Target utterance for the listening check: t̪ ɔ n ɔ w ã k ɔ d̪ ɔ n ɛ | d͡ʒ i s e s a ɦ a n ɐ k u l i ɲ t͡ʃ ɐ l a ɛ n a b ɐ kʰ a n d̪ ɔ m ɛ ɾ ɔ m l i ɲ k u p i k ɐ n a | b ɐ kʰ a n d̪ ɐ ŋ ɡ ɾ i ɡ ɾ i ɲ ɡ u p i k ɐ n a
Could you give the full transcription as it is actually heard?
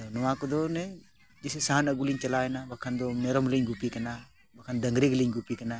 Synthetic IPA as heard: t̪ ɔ n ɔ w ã k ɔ d̪ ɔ n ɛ | d͡ʒ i s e s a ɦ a n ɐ ɡ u l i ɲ t͡ʃ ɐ l a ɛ n a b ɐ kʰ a n d̪ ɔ m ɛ ɾ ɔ m l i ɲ ɡ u p i k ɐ n a | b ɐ kʰ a n d̪ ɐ ŋ ɡ ɾ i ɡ l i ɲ ɡ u p i k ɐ n a